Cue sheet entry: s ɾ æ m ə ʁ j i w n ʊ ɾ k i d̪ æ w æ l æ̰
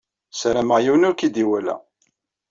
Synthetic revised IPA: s ɾ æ m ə ʁ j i w n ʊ ɾ k i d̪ i w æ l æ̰